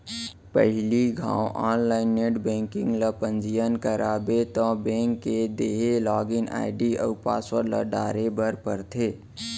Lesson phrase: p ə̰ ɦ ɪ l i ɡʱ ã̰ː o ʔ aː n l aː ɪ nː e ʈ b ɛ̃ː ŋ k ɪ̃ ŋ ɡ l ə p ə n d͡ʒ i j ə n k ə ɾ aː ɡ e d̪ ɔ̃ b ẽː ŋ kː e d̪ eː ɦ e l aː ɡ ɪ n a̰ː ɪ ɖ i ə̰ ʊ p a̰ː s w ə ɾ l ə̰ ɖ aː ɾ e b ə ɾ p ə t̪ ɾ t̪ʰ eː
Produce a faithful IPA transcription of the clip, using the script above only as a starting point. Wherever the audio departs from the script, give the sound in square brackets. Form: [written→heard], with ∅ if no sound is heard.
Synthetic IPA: p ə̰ ɦ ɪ l i ɡʱ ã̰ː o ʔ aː n l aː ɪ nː e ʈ b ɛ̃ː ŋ k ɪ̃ ŋ ɡ l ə p ə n d͡ʒ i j ə n k ə ɾ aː [ɡ→b] e [d̪→t̪] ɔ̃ b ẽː ŋ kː e d̪ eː ɦ e l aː ɡ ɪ n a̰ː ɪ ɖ i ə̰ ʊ p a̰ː s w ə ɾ l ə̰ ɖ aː ɾ e b ə ɾ p ə [t̪→∅] ɾ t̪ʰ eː